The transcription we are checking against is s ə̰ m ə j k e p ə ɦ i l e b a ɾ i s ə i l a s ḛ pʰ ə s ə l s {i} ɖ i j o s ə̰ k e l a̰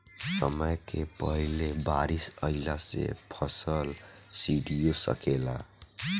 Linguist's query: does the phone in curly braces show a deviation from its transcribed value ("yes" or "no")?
no